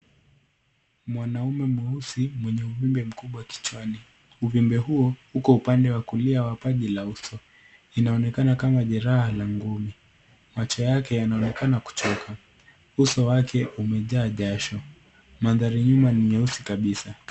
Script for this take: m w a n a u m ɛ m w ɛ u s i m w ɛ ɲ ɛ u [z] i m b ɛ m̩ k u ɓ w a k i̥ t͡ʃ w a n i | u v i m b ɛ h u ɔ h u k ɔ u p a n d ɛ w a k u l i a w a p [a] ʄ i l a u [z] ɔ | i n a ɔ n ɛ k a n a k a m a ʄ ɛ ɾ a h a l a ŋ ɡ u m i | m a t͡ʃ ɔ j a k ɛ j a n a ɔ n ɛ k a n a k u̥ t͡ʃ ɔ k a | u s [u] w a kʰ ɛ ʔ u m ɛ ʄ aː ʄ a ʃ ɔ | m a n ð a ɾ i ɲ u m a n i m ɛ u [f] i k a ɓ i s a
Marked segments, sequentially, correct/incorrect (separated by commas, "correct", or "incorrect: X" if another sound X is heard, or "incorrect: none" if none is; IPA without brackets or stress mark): incorrect: v, correct, incorrect: s, incorrect: ɔ, incorrect: s